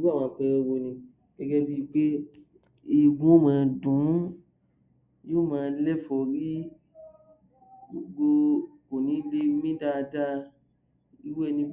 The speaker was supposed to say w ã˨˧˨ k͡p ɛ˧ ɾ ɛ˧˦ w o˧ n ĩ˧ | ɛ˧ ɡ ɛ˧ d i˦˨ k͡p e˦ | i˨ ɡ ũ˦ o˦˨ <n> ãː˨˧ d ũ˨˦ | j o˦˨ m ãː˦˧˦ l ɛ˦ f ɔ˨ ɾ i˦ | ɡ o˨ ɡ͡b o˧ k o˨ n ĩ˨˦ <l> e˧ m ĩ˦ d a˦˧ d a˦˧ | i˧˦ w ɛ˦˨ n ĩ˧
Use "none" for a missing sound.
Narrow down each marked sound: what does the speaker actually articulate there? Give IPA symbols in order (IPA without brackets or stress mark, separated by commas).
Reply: m, l